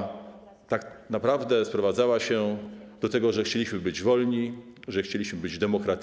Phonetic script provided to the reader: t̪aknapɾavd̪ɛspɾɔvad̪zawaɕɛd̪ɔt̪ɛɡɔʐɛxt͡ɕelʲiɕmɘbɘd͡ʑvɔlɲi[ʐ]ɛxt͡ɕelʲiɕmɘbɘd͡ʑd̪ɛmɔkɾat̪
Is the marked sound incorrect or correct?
correct